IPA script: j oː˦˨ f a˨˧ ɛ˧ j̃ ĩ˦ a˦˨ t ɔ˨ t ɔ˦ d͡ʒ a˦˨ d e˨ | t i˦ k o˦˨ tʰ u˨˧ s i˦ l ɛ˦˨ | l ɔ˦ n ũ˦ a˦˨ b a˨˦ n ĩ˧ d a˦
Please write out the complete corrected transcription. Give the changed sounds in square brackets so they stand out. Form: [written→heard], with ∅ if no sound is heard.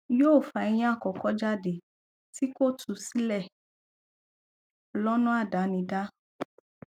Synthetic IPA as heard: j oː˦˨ f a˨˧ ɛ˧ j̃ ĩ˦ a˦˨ [t→k] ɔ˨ [t→k] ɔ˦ d͡ʒ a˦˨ d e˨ | t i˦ k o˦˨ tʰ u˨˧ s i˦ l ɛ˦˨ | l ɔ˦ n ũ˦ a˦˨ [b→d] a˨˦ n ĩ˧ d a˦

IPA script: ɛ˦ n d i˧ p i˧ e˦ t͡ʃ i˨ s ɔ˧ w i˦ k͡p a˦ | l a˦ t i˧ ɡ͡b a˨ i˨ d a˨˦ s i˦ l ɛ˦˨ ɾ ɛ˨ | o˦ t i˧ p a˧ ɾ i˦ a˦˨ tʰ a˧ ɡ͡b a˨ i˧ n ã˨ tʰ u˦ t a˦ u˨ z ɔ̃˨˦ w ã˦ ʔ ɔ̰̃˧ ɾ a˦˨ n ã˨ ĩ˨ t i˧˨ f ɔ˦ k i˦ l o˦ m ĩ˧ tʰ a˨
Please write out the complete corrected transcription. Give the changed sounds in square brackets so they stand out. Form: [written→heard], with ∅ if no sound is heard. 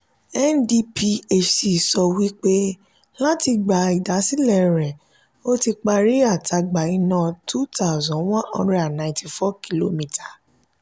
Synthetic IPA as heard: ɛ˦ n d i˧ p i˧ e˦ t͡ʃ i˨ s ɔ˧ w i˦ k͡p [a˦→e˦] | l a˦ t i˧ ɡ͡b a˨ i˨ d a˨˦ s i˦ l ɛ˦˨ ɾ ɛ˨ | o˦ t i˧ [p→k͡p] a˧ ɾ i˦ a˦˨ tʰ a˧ ɡ͡b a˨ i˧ n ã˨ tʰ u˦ t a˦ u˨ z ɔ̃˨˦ w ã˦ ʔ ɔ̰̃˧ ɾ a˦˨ n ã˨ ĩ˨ t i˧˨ f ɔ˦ k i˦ l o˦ m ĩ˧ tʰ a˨

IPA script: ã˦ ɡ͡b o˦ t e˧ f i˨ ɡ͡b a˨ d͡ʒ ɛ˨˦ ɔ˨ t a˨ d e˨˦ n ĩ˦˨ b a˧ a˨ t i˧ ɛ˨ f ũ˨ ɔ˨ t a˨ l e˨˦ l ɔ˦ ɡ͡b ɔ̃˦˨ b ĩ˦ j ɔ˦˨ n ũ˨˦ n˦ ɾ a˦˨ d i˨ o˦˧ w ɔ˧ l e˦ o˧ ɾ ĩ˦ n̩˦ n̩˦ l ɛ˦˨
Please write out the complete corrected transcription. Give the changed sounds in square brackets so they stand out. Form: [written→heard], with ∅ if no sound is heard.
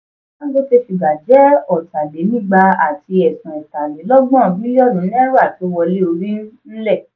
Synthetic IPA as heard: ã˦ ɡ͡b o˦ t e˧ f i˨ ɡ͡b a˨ d͡ʒ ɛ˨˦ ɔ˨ t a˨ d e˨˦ n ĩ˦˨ [b→ɡ͡b] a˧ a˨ t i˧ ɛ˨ [f→s] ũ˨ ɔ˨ t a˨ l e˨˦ l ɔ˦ ɡ͡b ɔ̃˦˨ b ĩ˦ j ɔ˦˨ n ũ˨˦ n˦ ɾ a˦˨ [d→t] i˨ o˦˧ w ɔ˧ l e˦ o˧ ɾ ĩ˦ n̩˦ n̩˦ l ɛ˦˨

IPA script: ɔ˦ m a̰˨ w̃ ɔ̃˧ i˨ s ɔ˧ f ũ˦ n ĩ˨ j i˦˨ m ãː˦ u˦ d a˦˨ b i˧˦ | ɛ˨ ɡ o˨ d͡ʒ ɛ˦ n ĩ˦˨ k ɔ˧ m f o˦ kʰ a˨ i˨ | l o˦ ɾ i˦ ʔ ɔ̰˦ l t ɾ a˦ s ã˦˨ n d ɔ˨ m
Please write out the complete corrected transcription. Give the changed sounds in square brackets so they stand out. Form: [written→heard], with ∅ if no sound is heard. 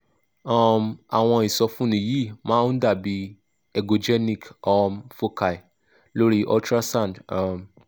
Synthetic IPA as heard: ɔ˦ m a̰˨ w̃ ɔ̃˧ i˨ s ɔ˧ f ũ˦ n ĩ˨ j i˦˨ m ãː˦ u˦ d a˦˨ b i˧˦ | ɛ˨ ɡ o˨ d͡ʒ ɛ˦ n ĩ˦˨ k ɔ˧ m f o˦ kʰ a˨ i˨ | l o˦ ɾ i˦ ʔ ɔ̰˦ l t ɾ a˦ s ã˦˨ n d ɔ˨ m

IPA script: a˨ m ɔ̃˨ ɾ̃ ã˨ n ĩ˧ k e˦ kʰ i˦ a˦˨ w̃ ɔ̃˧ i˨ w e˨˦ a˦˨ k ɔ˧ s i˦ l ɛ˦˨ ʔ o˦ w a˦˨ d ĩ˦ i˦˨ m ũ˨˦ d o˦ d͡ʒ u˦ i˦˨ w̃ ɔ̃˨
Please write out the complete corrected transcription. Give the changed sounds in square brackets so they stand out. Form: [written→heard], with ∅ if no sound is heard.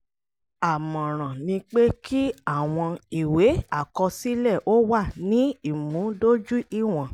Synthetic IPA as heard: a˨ m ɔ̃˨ ɾ̃ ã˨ n ĩ˧ [k→k͡p] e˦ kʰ i˦ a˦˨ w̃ ɔ̃˧ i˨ w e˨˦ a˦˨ k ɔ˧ s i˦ l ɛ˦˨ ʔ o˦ w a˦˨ [d→n] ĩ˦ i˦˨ m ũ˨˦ d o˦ d͡ʒ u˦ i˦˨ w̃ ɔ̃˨

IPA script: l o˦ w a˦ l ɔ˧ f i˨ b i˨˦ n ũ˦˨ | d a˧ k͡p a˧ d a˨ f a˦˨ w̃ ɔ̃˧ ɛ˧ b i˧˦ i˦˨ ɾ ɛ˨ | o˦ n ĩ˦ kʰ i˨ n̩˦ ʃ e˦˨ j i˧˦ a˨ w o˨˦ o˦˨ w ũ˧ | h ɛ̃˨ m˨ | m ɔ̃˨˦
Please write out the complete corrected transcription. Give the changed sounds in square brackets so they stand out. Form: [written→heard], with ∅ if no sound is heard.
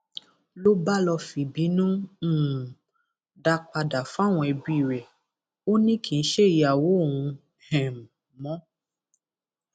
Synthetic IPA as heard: l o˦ [w→b] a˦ l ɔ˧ f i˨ b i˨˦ n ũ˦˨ | d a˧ k͡p a˧ d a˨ f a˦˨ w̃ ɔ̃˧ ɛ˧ b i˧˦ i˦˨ ɾ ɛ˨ | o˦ n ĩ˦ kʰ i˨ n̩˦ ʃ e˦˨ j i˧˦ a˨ w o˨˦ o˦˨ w ũ˧ | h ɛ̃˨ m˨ | m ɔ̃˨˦

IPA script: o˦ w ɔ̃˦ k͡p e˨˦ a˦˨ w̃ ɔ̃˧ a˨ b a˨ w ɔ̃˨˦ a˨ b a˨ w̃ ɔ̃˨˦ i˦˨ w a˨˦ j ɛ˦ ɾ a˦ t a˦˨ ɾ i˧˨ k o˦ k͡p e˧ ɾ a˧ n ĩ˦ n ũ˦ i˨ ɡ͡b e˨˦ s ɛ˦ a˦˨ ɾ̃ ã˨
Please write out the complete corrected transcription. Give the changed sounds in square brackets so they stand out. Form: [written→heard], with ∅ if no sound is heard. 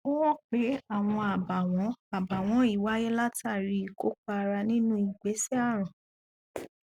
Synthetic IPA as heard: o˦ w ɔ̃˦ k͡p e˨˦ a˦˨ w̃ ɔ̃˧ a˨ b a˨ w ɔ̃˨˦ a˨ b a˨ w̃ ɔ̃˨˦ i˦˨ w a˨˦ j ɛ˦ [ɾ→l] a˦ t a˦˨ ɾ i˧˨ k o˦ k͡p [e˧→a˧] ɾ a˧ n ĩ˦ n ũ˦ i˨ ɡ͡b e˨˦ s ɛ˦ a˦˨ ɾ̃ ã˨

